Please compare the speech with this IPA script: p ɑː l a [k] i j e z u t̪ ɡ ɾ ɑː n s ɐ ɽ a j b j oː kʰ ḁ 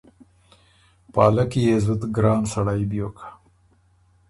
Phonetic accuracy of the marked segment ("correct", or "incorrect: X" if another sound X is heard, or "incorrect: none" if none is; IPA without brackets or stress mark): correct